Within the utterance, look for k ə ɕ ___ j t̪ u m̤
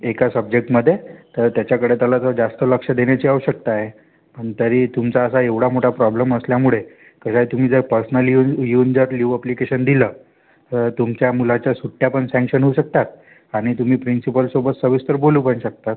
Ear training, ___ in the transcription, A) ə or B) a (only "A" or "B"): B